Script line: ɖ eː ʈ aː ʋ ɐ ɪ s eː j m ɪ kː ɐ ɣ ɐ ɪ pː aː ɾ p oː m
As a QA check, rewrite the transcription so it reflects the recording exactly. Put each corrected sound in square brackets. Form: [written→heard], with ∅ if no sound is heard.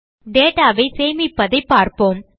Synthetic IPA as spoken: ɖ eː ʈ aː ʋ ɐ ɪ s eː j m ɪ [kː→pː] ɐ [ɣ→ð] ɐ ɪ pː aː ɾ p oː m